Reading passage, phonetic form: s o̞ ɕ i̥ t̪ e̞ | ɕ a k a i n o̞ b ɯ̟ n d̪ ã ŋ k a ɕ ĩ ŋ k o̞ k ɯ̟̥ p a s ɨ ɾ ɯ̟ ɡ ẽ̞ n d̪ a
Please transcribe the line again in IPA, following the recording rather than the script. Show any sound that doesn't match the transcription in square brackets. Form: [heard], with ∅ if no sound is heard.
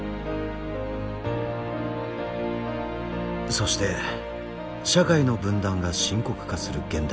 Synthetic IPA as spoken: s o̞ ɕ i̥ t̪ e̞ | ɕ a k a i n o̞ b [ɯ̟̃] n d̪ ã ŋ [ɡ] a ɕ ĩ ŋ k o̞ k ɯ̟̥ [k] a s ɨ ɾ ɯ̟ ɡ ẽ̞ n d̪ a